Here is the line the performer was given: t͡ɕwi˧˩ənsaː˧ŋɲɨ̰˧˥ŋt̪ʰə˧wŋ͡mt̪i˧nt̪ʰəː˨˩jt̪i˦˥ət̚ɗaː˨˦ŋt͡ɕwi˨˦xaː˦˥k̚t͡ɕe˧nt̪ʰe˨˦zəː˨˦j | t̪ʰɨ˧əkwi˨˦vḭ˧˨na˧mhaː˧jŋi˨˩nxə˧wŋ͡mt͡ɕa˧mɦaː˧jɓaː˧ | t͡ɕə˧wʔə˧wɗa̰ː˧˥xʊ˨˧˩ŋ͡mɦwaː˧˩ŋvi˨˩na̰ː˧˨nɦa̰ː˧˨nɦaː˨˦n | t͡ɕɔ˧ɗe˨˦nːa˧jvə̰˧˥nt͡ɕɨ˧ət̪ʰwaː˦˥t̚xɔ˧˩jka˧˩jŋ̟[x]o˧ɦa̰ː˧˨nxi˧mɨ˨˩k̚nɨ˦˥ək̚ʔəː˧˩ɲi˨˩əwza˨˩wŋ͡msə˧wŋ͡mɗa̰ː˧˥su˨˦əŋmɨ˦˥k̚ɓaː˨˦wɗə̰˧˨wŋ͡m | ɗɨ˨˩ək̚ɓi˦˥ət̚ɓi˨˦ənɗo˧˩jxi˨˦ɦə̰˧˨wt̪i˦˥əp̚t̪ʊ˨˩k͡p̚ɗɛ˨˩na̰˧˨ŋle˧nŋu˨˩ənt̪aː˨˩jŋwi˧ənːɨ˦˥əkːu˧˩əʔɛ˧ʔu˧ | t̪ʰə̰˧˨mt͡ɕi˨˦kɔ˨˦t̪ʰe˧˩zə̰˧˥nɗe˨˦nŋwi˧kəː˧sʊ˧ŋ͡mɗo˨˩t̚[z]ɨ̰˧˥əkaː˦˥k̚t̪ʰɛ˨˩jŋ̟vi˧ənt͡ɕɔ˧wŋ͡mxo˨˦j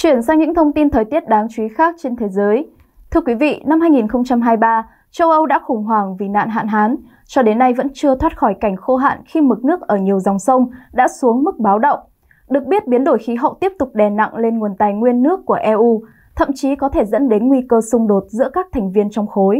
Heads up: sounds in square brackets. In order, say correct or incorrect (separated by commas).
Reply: correct, correct